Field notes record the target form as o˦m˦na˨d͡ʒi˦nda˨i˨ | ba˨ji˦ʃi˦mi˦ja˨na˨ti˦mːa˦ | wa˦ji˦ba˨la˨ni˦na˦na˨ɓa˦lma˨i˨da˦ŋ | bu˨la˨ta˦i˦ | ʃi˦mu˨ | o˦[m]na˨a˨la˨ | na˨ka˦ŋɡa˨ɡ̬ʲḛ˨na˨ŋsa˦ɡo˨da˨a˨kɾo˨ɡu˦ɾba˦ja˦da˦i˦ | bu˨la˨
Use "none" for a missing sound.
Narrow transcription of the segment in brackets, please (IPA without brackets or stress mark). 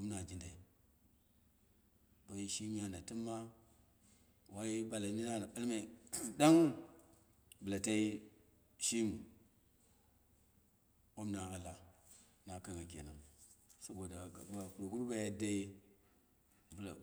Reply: m